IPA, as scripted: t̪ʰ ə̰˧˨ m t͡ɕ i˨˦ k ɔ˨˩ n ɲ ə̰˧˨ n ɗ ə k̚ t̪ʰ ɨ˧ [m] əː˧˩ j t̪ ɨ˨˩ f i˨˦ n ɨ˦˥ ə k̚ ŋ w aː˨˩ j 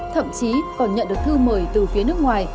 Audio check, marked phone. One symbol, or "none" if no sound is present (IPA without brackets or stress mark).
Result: m